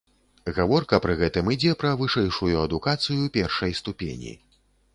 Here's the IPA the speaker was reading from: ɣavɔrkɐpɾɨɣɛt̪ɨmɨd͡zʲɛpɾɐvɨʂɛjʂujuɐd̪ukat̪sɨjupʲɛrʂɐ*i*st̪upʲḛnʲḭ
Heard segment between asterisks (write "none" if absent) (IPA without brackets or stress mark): j